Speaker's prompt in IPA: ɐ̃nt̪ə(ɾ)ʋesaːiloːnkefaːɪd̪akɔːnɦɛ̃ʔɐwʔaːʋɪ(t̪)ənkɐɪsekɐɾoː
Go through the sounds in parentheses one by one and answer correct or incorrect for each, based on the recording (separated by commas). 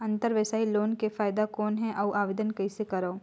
correct, incorrect